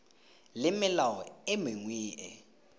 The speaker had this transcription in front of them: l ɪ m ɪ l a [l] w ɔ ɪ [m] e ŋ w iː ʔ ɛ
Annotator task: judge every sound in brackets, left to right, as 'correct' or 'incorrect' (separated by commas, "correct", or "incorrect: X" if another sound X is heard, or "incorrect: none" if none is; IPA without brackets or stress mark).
incorrect: none, correct